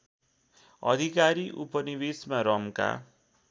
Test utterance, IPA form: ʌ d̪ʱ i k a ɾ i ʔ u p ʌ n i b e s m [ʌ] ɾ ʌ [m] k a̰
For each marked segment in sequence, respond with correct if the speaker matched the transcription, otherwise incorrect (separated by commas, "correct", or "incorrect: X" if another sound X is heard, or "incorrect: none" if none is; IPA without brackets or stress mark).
incorrect: a, correct